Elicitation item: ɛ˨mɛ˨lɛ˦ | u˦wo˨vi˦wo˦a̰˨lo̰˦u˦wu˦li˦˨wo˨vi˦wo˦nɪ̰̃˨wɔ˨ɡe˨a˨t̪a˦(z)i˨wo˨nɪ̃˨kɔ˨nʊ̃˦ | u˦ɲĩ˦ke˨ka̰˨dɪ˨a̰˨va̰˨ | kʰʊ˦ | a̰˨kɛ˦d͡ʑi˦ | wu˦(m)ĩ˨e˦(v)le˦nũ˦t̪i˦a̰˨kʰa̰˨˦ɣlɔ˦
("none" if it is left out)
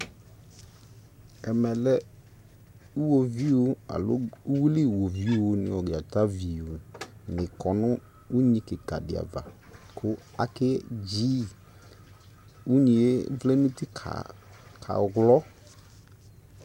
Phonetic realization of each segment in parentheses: v, ɲ, v

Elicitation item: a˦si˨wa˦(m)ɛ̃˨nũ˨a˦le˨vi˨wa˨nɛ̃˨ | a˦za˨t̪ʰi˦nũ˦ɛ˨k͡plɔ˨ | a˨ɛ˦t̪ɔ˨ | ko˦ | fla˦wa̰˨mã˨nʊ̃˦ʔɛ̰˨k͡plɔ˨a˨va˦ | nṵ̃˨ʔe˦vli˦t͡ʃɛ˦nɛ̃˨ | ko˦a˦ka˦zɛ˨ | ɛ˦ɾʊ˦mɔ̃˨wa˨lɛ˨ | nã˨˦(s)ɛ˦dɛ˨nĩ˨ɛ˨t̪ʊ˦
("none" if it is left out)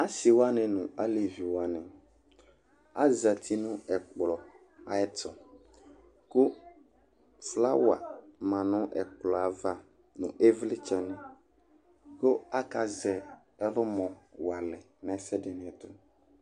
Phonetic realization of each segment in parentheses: n, s

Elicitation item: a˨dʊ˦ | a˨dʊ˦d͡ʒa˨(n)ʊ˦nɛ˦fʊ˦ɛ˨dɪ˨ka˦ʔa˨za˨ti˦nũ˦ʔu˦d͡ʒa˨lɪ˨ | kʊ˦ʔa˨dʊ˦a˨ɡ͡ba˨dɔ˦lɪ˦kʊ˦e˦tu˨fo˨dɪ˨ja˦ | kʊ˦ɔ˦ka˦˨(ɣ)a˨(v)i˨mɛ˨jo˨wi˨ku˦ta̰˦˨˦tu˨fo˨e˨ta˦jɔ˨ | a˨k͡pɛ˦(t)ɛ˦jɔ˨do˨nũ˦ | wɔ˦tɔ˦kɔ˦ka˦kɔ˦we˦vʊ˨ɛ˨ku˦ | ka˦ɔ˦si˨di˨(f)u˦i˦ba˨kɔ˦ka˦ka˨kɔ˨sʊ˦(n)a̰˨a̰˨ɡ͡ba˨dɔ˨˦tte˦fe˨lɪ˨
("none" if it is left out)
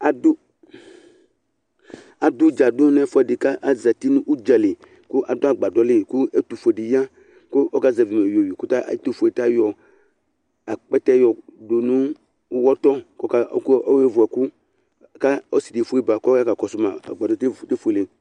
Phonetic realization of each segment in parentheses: d, z, v, t, f, m

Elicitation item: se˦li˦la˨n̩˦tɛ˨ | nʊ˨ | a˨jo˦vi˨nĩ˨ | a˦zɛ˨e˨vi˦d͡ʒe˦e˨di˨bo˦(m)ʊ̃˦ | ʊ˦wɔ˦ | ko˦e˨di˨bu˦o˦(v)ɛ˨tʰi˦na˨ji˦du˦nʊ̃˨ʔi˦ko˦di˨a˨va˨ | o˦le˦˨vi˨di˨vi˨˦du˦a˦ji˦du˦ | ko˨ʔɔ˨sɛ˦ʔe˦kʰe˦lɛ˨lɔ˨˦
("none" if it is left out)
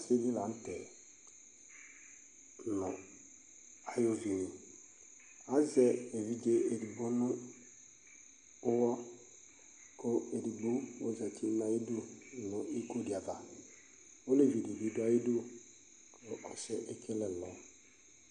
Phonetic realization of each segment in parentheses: n, z

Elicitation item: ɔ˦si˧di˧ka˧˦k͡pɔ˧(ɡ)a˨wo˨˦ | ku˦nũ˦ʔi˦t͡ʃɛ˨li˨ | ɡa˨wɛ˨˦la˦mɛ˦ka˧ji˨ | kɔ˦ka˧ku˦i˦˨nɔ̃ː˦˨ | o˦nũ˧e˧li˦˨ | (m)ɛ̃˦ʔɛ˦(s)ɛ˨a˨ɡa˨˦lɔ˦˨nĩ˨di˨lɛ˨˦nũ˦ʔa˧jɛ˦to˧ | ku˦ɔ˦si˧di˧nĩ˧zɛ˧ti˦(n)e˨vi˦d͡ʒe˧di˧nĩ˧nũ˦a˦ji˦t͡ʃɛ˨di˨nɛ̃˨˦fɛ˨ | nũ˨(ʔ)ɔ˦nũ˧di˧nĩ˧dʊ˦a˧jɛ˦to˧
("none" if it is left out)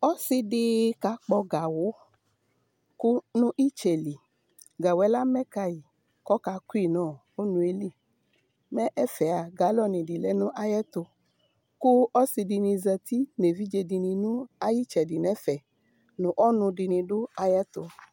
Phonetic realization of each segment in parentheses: ɡ, m, f, n, ʔ

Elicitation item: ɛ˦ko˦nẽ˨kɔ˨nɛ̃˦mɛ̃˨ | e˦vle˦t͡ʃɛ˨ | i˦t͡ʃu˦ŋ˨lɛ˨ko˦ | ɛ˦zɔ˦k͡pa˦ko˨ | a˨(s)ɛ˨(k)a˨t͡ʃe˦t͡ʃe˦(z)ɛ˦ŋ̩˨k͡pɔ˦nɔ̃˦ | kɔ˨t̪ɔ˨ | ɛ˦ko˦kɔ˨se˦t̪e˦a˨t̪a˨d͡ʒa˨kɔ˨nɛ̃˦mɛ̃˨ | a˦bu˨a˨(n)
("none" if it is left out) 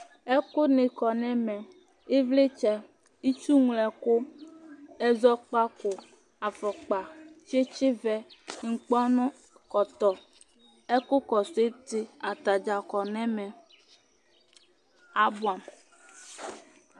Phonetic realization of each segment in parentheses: f, k͡p, v, m

